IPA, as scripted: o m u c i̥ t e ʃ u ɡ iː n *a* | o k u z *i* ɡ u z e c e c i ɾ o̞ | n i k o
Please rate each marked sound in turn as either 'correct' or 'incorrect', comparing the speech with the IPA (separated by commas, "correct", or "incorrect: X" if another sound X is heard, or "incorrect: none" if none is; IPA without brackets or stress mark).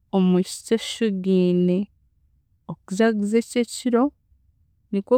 incorrect: e, incorrect: a